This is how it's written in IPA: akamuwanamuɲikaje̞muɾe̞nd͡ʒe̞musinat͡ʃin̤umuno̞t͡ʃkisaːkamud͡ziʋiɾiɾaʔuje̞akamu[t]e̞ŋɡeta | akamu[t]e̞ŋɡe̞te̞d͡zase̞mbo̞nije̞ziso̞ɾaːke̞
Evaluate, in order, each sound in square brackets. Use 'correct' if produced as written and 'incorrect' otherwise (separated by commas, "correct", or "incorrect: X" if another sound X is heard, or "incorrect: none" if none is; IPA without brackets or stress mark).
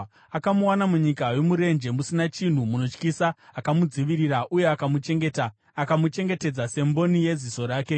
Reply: incorrect: t͡ʃ, incorrect: t͡ʃ